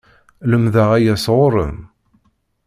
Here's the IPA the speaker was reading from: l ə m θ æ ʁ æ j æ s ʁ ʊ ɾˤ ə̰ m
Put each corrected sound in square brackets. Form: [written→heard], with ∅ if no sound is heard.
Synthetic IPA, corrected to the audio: l ə m [θ→ð] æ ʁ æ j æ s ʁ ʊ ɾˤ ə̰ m